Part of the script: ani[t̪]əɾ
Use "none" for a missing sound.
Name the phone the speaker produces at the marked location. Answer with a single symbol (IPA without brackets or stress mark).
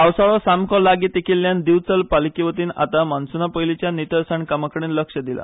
t̪